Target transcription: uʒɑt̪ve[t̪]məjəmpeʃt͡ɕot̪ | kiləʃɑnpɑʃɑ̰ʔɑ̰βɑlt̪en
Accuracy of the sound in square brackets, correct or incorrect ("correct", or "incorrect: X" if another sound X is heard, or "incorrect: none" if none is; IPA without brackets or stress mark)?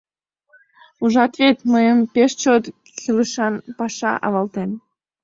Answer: correct